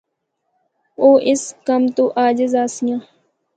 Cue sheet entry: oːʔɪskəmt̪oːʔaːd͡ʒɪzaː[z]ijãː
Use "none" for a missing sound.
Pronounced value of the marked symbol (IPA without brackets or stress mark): s